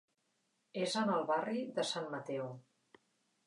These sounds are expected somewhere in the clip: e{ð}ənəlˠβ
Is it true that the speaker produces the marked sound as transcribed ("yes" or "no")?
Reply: no